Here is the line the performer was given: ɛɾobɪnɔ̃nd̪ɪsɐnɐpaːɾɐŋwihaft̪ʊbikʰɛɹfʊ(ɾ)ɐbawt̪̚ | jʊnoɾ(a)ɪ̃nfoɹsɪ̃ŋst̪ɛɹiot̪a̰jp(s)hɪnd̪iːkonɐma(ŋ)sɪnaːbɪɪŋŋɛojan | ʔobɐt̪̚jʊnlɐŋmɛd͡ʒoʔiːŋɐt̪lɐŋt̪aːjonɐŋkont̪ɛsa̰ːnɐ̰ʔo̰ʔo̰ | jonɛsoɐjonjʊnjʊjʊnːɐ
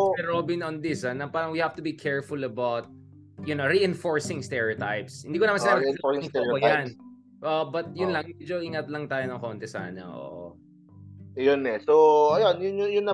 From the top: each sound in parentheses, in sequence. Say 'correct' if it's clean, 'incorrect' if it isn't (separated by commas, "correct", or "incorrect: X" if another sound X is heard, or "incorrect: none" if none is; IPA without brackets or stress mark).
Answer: incorrect: l, incorrect: i, correct, incorrect: n